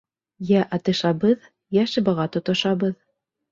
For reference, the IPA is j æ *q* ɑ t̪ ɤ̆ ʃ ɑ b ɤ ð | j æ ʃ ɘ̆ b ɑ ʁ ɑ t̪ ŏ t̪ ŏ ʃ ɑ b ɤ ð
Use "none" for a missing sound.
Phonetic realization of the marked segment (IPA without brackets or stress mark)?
ʔ